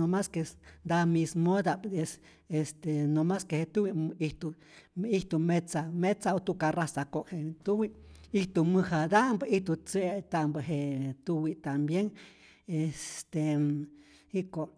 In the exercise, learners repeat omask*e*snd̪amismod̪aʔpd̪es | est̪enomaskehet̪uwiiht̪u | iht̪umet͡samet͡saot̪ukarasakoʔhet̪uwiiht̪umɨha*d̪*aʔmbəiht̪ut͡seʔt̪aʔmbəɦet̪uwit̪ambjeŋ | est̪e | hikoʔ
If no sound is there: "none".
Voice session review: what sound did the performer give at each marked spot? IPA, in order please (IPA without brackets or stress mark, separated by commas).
e, d̪